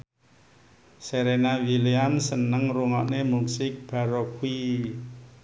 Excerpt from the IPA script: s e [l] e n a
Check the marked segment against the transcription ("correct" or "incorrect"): incorrect